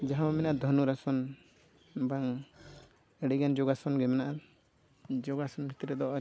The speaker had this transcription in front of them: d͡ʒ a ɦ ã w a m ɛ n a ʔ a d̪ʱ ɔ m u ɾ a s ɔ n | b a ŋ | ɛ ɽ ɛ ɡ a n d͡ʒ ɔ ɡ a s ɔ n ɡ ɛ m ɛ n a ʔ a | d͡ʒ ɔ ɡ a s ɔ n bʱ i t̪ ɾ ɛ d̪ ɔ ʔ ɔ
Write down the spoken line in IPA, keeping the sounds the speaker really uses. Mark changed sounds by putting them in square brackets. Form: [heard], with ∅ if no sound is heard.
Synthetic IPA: d͡ʒ a ɦ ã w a m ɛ n a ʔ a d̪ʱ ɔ [n] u ɾ a s ɔ n | b a ŋ | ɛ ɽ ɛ ɡ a n d͡ʒ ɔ ɡ a s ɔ n ɡ ɛ m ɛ n a ʔ a | d͡ʒ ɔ ɡ a s ɔ n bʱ i t̪ ɾ ɛ d̪ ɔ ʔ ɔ